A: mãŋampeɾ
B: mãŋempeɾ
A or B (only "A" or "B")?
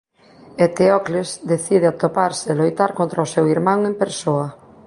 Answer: B